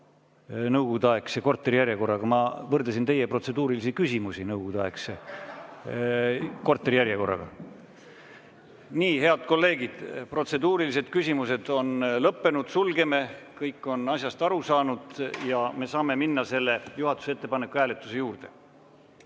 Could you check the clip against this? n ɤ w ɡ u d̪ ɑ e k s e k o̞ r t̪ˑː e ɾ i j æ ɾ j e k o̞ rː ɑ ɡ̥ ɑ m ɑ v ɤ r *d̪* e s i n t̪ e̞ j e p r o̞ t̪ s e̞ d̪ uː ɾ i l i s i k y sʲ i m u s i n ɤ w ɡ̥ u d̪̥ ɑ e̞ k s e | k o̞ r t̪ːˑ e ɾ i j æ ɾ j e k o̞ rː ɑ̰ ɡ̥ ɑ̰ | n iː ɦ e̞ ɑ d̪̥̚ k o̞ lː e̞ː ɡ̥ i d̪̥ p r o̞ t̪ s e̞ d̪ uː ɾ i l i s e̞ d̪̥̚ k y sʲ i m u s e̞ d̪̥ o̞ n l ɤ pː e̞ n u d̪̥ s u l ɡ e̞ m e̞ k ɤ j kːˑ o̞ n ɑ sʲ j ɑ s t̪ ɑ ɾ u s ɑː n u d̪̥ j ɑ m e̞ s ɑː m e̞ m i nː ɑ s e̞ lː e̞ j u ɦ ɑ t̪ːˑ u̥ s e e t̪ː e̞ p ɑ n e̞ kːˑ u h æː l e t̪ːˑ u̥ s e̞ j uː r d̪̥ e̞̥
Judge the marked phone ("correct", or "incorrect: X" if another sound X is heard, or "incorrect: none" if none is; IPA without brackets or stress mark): correct